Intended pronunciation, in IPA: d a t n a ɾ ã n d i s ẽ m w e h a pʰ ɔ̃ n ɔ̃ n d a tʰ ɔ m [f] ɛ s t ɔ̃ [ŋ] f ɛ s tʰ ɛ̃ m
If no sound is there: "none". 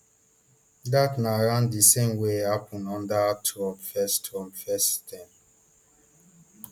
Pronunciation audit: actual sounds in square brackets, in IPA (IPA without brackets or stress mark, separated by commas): f, m